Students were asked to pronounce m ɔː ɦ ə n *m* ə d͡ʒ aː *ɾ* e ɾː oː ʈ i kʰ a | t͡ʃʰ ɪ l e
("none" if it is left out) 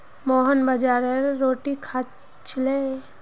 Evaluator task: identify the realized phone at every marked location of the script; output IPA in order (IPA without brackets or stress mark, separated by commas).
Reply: b, ɾ